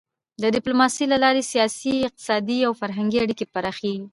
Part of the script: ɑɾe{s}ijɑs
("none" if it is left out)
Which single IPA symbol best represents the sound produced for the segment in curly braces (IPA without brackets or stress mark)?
s